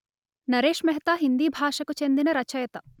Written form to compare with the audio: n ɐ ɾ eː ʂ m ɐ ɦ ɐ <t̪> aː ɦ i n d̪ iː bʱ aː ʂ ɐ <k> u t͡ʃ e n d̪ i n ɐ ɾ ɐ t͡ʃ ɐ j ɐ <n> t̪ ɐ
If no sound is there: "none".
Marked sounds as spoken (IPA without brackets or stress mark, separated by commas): t̪, k, none